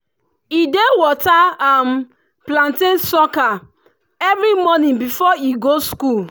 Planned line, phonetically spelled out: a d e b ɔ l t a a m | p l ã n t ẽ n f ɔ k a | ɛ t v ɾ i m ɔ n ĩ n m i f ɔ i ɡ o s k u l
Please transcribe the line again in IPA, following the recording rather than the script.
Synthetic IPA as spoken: i d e w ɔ t a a m | p l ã n t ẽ n s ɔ k a | ɛ v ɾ i m ɔ n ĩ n b i f ɔ i ɡ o s k u l